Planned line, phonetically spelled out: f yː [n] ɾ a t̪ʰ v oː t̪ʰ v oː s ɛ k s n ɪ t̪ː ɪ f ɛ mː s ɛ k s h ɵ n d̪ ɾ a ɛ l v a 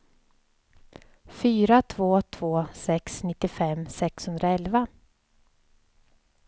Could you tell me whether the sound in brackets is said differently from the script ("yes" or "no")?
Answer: yes